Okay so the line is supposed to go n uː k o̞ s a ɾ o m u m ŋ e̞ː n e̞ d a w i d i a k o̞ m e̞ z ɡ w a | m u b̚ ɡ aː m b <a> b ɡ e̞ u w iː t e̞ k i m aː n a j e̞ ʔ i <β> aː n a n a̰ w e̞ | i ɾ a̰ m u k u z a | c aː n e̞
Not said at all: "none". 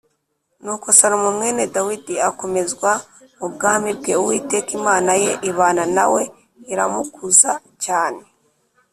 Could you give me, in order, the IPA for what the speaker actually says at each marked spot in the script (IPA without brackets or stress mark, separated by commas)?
i, β